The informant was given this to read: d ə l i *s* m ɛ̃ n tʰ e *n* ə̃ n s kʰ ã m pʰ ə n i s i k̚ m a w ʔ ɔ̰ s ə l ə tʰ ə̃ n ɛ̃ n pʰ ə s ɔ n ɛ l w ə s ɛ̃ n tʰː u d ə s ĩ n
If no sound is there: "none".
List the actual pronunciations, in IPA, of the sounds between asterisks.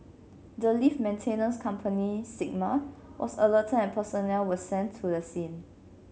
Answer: f, n

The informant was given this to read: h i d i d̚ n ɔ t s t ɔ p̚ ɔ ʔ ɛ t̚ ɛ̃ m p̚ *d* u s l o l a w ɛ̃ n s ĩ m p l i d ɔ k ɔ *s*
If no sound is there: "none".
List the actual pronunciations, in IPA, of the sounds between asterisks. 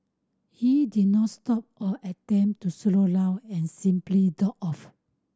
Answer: t, f

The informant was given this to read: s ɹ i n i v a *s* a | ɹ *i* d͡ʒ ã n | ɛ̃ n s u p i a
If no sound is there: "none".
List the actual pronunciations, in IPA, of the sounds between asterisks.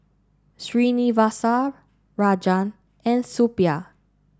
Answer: s, a

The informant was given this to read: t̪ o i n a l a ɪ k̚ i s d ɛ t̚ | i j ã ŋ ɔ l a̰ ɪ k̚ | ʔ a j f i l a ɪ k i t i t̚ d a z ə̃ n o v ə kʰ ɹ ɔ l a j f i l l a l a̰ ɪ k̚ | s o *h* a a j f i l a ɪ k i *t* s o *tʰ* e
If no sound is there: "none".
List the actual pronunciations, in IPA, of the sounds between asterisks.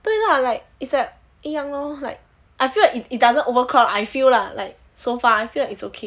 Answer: f, t, kʰ

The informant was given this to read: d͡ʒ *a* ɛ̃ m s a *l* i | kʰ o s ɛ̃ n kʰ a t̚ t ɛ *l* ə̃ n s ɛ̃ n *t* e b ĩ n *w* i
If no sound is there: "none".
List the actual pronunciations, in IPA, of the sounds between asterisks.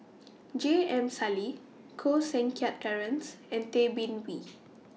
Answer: e, l, ɹ, t, w

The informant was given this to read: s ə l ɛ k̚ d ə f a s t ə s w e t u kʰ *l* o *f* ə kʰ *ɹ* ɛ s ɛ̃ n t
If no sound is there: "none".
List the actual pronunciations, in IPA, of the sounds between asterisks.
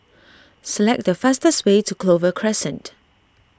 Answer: l, v, ɹ

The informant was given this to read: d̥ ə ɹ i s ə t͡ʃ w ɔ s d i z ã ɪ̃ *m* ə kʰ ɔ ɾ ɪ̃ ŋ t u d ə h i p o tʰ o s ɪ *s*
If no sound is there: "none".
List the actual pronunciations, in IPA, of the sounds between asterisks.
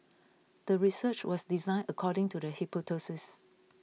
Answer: n, s

